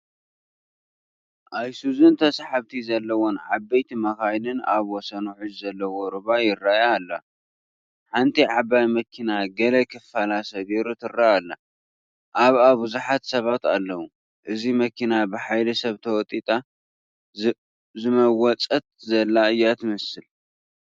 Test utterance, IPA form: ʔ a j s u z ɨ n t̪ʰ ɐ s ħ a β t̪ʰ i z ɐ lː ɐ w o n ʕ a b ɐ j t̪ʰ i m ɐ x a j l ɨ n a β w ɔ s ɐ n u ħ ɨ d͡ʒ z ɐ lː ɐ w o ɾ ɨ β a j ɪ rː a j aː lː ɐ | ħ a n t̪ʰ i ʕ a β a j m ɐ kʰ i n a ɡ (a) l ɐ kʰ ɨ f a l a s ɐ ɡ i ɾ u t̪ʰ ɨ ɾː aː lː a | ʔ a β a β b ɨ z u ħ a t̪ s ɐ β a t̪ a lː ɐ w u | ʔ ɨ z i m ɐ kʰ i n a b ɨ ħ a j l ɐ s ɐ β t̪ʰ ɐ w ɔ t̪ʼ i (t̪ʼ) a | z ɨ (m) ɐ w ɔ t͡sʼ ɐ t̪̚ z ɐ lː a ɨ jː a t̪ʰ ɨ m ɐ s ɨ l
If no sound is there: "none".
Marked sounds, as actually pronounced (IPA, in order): ɐ, t̪ʼ, m

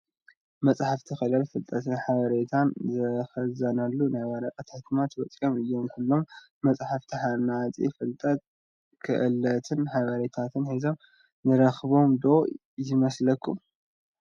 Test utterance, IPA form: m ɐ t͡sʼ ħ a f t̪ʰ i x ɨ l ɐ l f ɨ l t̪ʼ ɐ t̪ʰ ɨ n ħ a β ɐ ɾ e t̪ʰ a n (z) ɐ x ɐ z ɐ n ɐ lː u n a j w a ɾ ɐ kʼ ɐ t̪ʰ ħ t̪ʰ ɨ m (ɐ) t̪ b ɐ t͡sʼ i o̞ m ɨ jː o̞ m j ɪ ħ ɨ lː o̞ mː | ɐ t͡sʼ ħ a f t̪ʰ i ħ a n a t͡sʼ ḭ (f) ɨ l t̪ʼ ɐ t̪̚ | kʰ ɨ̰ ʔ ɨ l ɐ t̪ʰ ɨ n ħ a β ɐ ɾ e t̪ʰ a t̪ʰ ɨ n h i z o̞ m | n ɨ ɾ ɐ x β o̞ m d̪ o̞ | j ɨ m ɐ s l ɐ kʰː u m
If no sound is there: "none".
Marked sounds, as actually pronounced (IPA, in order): z, a, f

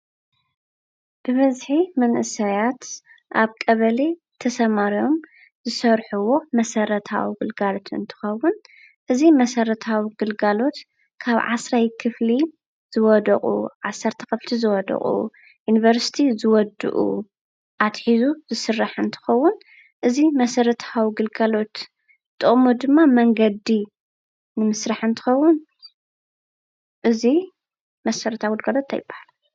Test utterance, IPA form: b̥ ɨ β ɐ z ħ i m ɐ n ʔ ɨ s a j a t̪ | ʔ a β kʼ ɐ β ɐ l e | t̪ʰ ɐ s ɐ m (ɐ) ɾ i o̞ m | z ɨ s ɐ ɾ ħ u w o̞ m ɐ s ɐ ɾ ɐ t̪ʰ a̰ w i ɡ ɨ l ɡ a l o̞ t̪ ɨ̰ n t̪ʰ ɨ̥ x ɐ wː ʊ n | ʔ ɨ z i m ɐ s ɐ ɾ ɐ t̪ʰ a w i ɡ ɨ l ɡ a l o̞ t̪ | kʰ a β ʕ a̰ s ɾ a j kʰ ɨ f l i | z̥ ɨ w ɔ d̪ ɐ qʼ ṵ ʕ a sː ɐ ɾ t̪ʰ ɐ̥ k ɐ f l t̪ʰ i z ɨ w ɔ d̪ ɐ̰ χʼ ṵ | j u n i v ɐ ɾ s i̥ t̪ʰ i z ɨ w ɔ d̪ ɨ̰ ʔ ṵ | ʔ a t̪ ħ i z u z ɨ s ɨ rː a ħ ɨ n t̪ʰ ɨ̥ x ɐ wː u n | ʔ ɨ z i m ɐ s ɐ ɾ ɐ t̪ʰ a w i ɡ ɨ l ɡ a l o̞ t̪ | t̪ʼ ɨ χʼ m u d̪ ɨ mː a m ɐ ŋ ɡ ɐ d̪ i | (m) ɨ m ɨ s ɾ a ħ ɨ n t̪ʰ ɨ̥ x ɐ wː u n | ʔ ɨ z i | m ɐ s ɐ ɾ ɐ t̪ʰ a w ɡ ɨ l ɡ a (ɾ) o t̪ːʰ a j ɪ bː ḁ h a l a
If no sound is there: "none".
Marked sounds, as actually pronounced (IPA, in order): a, n, l

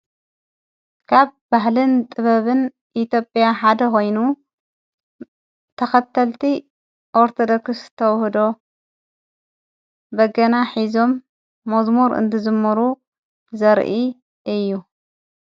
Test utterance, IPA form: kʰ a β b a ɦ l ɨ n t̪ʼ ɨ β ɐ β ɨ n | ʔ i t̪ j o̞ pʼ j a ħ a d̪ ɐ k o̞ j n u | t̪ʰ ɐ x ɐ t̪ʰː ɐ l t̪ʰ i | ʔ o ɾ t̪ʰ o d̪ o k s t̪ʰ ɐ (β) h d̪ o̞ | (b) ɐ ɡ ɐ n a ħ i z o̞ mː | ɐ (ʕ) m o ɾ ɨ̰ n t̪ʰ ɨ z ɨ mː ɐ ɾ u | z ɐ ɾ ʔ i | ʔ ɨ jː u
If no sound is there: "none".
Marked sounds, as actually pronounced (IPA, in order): w, b, z

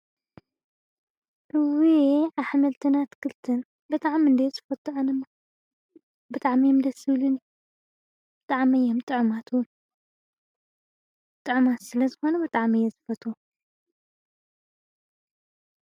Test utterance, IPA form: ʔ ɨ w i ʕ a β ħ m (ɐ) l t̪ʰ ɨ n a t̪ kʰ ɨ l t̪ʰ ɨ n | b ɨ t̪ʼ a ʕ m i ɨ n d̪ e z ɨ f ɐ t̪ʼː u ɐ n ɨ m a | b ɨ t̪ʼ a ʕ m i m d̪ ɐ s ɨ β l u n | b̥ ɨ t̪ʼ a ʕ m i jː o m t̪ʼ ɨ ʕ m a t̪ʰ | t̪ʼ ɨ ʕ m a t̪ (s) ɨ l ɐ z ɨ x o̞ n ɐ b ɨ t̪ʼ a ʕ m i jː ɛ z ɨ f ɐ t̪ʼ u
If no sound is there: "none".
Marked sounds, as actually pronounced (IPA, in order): ɐ, s

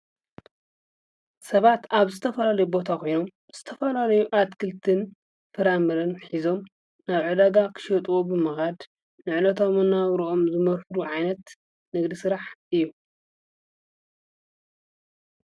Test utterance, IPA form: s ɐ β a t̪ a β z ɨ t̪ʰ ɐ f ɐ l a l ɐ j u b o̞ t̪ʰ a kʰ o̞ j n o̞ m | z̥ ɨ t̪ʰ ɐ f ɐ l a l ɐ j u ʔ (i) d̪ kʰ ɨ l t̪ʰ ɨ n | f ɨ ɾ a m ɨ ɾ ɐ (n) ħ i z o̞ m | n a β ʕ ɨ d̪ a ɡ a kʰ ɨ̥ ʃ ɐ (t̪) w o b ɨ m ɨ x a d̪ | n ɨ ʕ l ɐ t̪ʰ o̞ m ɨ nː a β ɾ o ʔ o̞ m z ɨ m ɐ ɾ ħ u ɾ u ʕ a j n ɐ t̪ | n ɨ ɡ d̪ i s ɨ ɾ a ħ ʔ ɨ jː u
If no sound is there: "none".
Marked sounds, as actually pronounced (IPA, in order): a, n, t̪ʼ

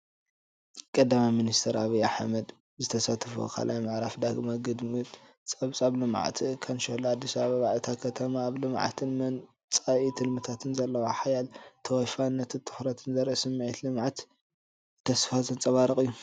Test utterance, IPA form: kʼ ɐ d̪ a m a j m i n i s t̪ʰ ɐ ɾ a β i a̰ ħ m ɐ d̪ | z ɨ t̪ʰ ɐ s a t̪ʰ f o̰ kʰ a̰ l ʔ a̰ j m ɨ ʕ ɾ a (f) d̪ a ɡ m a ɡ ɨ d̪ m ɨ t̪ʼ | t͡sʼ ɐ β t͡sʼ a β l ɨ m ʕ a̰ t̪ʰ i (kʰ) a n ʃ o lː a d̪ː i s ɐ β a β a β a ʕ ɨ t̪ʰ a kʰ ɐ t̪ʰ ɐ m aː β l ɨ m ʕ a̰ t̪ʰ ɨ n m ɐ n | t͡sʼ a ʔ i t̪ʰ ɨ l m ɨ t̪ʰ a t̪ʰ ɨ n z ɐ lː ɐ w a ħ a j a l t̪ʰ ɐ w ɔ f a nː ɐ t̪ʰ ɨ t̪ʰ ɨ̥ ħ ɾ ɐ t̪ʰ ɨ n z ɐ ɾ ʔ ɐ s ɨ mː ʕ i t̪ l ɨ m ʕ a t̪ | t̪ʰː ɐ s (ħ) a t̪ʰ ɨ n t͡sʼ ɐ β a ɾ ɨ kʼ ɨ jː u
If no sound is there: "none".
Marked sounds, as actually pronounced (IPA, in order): f, kʰ, f

